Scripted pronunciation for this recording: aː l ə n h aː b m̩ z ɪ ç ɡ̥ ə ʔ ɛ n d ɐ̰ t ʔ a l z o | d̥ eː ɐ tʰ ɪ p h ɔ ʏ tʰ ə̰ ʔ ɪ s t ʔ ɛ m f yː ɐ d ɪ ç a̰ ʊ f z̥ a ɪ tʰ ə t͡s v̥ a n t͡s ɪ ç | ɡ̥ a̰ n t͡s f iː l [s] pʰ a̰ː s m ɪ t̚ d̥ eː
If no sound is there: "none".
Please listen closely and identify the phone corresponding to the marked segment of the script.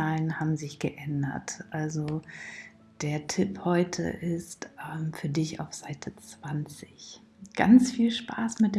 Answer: ʃ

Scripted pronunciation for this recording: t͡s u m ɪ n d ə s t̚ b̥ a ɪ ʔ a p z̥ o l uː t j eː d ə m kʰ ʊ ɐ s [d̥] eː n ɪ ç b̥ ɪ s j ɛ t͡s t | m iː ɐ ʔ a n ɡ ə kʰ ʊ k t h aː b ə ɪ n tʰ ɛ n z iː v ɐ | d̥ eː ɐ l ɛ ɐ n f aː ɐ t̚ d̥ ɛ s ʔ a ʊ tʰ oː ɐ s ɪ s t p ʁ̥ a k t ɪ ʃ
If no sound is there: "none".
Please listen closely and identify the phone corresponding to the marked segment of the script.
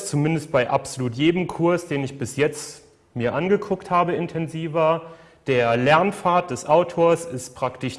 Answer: d̥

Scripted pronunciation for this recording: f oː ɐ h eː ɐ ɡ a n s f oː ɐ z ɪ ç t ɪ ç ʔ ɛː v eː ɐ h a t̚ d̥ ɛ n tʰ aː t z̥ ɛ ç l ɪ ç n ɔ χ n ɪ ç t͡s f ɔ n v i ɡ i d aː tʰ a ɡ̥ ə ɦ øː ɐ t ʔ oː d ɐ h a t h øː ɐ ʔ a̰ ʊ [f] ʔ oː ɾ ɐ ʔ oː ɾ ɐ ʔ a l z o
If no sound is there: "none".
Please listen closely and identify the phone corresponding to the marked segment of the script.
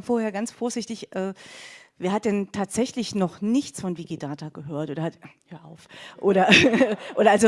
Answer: f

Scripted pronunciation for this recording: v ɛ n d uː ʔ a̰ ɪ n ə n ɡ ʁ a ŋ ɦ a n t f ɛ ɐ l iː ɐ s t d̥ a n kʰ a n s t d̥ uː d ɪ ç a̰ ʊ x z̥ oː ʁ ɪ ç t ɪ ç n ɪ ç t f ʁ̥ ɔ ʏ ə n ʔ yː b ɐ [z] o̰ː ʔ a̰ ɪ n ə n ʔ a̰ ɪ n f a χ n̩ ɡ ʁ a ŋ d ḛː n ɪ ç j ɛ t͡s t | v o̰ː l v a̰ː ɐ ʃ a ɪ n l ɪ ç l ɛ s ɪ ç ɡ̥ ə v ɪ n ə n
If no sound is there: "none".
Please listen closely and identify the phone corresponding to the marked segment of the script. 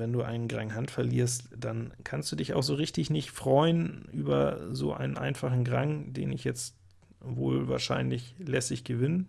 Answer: z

